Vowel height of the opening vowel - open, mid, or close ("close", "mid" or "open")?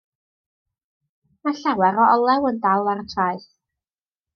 open